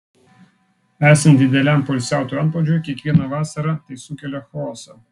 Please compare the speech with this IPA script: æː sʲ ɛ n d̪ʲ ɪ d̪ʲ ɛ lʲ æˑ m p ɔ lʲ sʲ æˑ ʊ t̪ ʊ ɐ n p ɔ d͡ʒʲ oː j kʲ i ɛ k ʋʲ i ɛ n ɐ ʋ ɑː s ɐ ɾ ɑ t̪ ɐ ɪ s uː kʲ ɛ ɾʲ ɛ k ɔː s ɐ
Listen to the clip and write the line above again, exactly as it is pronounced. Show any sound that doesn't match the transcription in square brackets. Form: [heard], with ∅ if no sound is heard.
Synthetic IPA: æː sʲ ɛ n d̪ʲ ɪ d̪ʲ ɛ lʲ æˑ m p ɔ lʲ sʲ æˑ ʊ t̪ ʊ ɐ n p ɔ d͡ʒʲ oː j kʲ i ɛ k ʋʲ i ɛ n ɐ ʋ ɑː s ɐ ɾ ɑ t̪ ɐ ɪ s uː kʲ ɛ [lʲ] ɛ [x] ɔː s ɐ